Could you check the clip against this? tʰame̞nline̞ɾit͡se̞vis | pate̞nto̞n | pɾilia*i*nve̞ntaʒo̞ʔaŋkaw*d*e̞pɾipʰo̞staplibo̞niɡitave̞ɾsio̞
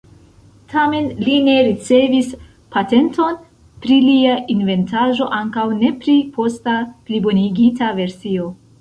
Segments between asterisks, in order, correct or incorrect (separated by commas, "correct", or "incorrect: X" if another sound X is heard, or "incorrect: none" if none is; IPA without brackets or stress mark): correct, incorrect: n